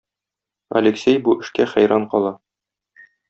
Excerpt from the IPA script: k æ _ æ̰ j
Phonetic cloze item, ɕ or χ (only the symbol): χ